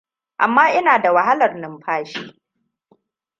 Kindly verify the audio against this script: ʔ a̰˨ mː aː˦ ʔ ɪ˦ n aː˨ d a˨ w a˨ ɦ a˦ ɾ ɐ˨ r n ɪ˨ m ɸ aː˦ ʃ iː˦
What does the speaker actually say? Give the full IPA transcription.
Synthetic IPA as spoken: ʔ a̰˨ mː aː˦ ʔ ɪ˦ n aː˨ d a˨ w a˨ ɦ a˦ l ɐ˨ r n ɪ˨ m ɸ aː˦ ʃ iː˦